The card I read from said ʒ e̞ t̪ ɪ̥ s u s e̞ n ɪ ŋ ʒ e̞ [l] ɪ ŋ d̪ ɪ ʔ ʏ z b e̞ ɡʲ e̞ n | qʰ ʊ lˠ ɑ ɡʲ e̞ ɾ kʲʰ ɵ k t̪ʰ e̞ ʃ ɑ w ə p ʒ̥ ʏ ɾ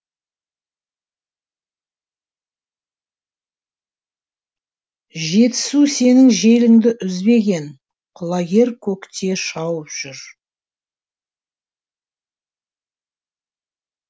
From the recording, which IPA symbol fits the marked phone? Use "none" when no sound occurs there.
l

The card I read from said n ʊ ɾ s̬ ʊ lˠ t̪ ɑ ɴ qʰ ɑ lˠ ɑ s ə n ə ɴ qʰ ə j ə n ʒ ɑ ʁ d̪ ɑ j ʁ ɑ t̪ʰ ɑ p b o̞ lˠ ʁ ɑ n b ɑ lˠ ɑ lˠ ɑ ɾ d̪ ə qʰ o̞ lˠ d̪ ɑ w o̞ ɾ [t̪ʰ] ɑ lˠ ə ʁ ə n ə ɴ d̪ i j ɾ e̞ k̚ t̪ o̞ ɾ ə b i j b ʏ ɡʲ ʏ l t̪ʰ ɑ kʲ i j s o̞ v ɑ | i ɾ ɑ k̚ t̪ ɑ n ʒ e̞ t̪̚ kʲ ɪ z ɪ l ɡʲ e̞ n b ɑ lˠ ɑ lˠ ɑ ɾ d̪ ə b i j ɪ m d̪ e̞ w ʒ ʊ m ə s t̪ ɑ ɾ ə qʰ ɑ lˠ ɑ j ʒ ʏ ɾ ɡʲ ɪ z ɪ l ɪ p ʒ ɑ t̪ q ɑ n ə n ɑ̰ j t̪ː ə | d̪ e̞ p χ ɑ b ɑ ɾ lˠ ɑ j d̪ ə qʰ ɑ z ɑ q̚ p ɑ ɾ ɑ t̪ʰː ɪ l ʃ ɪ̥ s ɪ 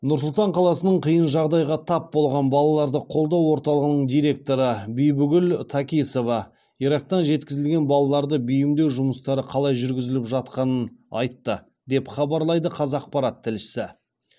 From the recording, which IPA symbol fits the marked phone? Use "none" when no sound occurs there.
t̪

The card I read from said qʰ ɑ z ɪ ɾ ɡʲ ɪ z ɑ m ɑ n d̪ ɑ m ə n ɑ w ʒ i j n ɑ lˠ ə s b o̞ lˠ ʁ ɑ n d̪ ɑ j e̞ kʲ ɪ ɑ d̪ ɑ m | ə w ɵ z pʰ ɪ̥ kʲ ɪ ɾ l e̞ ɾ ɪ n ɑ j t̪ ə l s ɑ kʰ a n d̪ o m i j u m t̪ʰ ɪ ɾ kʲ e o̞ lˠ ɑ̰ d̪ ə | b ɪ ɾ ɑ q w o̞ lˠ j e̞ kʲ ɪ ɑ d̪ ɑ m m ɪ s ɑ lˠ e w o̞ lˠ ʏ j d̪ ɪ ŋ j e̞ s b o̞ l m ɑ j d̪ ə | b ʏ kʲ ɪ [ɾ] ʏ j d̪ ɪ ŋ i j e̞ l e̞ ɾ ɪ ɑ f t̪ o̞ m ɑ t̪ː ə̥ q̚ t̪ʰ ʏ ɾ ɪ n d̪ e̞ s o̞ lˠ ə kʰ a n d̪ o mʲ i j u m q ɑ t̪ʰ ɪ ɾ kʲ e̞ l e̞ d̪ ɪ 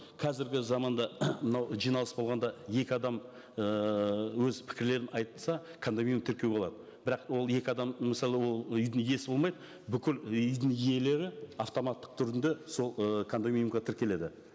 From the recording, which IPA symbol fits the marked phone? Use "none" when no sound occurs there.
l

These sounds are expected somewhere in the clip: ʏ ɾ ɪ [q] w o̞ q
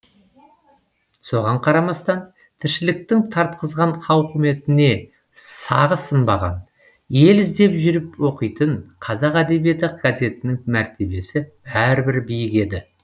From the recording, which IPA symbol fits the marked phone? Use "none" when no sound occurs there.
p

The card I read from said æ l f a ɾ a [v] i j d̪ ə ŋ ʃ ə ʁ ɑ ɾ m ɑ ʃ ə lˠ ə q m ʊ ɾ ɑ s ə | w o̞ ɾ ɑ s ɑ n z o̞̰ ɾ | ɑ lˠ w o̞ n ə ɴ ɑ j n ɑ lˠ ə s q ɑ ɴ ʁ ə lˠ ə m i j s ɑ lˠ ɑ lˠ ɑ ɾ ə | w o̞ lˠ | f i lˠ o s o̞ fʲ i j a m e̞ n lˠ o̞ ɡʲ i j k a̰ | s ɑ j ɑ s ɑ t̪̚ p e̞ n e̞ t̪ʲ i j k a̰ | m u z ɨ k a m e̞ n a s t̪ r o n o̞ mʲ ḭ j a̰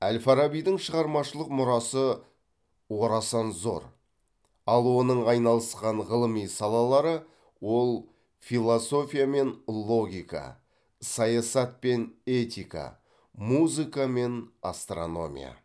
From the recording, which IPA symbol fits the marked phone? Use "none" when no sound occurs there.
b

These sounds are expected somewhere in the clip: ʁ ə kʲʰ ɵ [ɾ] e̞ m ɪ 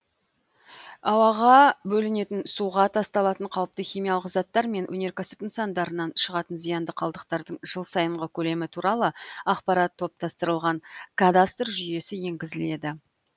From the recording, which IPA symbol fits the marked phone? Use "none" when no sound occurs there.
l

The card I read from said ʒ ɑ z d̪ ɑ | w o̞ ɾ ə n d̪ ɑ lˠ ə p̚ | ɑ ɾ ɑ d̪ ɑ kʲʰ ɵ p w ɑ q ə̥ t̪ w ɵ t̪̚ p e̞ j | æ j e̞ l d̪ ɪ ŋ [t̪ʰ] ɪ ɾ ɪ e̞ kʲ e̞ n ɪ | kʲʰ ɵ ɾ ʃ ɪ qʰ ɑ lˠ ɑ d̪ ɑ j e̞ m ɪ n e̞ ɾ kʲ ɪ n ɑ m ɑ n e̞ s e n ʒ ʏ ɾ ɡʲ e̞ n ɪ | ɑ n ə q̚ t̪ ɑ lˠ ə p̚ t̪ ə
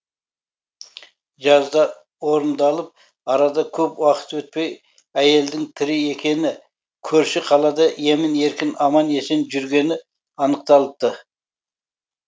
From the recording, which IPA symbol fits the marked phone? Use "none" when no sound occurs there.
t̪ʰ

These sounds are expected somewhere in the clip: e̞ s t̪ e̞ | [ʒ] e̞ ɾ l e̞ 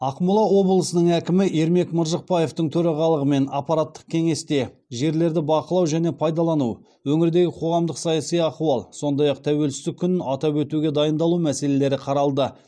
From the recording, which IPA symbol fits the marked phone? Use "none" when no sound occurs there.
ʒ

